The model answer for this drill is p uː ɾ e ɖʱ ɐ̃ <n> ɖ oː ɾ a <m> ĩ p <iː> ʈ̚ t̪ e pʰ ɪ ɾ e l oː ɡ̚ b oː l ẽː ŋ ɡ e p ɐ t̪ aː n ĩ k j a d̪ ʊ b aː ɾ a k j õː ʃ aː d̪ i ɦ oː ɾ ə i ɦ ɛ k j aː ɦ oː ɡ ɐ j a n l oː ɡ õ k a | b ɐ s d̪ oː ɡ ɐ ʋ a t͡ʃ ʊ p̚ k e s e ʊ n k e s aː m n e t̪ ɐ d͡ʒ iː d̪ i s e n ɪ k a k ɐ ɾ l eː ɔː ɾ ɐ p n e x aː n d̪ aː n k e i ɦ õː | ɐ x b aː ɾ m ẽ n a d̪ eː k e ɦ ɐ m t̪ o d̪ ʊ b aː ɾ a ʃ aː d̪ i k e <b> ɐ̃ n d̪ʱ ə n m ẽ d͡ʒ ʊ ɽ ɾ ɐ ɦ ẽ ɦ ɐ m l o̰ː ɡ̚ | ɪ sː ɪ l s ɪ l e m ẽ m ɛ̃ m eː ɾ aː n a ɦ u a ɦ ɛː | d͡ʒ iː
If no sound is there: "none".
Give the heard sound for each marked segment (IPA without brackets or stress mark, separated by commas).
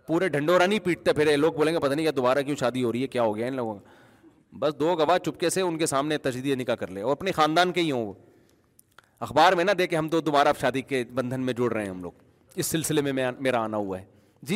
ɳ, n, iː, b